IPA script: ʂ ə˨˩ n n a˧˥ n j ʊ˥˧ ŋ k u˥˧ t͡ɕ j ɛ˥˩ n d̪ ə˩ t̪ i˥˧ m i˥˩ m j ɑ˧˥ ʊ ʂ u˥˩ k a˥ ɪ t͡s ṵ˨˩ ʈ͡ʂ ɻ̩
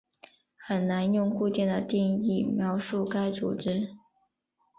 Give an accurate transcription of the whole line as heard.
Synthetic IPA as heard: x ə˨˩ n n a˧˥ n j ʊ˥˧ ŋ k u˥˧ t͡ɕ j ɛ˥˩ n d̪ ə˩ t̪ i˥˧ ŋ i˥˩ m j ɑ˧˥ ʊ ʂ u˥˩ k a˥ ɪ t͡s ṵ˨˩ ʈ͡ʂ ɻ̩